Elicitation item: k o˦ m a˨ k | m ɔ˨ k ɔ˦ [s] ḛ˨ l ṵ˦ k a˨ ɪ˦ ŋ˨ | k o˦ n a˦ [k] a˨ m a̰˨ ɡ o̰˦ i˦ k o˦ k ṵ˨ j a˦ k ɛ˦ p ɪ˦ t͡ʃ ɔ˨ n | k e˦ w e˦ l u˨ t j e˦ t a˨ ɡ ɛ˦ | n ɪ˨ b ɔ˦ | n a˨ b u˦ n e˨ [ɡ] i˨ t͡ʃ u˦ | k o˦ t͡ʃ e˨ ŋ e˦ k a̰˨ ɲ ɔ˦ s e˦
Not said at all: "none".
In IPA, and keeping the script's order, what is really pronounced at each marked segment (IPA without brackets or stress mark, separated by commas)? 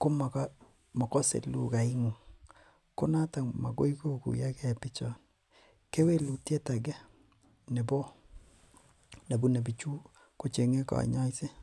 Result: s, t, b